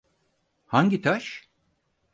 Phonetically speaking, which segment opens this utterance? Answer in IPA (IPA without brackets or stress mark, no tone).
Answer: h